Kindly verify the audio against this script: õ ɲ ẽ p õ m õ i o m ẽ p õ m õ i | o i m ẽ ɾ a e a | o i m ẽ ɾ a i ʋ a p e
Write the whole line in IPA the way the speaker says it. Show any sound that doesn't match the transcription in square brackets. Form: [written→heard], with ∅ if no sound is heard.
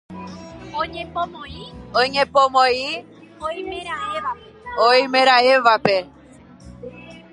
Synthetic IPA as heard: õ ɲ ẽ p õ m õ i o [m→ɲ] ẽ p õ m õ i | o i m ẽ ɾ a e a | o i m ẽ ɾ a [i→e] ʋ a p e